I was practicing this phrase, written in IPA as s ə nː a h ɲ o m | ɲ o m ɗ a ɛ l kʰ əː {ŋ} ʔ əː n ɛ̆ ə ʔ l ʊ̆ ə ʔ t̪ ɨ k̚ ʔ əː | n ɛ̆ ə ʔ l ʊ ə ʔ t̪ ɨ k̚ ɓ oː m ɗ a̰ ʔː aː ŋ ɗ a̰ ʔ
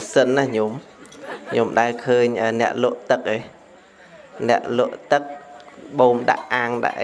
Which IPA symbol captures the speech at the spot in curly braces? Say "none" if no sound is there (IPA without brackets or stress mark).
ɲ